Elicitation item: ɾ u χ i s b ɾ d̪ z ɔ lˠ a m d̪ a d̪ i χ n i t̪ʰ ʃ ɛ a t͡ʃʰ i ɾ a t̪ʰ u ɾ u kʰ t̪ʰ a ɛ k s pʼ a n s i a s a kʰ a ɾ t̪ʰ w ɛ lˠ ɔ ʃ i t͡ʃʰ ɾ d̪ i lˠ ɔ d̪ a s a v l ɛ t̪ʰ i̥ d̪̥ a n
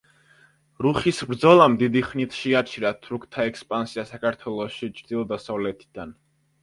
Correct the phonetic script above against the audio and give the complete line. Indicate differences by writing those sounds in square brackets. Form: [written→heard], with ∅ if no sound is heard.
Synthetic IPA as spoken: ɾ u χ i s b ɾ d̪ z ɔ lˠ a m d̪ [a→i] d̪ i χ n i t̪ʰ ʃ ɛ a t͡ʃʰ i ɾ a t̪ʰ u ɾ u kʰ t̪ʰ a ɛ k s pʼ a n s i a s a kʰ a ɾ t̪ʰ w ɛ lˠ ɔ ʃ i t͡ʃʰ ɾ d̪ i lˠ ɔ d̪ a s a v l ɛ t̪ʰ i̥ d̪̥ a n